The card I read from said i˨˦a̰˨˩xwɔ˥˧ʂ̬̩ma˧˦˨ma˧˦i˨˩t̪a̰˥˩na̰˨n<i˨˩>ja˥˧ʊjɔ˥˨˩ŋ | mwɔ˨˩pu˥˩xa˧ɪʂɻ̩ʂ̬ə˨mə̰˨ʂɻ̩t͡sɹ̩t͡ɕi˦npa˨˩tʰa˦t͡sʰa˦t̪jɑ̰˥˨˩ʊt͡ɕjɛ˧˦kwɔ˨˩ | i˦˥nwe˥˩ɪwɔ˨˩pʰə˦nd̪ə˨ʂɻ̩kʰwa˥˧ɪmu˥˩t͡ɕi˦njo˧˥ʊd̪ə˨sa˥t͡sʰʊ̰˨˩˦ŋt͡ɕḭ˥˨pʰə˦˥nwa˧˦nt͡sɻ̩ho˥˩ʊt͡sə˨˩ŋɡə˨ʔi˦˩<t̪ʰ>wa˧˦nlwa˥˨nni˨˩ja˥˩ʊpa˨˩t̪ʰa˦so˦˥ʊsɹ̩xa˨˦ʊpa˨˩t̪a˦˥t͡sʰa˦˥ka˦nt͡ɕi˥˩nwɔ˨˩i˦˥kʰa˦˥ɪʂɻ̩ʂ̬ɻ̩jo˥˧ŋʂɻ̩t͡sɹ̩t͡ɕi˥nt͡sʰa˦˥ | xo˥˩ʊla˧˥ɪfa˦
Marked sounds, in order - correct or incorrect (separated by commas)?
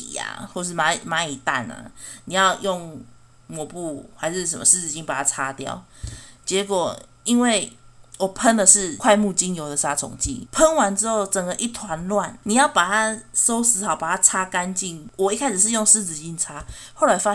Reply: correct, correct